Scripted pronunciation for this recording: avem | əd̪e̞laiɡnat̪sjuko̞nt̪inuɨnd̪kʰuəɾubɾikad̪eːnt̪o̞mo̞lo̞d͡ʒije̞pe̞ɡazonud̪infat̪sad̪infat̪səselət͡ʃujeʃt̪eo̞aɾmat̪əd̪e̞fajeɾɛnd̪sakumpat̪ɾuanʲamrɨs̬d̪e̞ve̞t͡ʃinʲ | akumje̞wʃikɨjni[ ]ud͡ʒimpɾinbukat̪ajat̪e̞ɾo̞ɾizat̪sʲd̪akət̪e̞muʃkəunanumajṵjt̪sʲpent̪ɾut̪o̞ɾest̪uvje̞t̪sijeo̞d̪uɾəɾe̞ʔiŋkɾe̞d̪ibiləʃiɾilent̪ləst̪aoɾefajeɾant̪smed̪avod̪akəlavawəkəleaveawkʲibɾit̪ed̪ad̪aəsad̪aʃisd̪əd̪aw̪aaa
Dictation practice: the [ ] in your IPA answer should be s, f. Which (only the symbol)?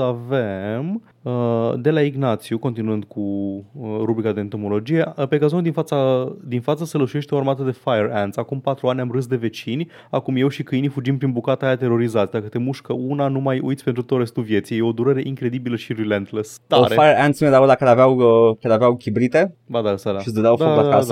f